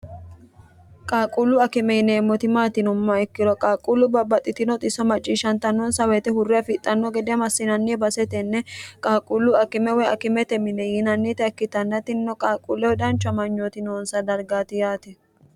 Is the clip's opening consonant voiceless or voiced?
voiceless